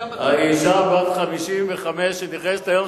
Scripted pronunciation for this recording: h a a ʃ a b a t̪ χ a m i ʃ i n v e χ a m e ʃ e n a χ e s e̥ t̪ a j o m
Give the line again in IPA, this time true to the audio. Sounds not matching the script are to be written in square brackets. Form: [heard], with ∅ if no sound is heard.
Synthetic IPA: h a [i] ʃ a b a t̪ χ a m i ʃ i [m] v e χ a m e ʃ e n [i] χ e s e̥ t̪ a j o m